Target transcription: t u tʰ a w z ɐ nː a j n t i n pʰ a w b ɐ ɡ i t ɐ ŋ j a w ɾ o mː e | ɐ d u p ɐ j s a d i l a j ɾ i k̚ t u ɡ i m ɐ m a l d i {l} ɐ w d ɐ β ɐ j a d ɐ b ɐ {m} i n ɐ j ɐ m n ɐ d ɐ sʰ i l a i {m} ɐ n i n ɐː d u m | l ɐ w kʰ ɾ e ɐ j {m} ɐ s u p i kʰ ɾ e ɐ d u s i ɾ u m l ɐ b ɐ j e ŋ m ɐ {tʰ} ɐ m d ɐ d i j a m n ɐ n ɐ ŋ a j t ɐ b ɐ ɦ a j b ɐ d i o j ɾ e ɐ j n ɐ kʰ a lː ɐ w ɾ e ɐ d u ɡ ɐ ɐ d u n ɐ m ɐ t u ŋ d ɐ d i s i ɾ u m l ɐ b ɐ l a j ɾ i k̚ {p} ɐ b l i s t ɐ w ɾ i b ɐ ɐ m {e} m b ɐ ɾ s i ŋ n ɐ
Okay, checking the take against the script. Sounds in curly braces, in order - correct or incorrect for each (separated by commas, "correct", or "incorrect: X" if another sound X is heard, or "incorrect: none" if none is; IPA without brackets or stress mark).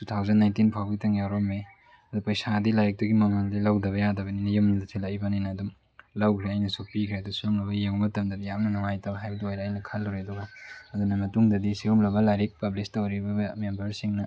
correct, incorrect: n, incorrect: b, incorrect: n, incorrect: t, correct, correct